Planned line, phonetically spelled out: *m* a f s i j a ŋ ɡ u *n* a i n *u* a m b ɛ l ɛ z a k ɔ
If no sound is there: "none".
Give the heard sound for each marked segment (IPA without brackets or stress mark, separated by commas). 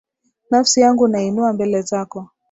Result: n, n, u